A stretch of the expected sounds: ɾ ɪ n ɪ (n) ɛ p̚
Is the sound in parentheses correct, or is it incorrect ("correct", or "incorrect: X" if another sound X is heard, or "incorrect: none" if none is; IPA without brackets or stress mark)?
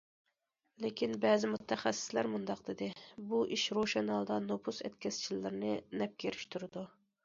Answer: correct